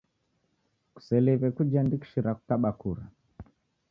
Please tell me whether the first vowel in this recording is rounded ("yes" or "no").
yes